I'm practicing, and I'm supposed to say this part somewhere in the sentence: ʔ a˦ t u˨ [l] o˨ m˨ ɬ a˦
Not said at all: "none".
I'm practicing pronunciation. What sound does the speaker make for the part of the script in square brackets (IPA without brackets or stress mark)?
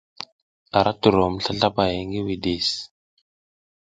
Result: ɾ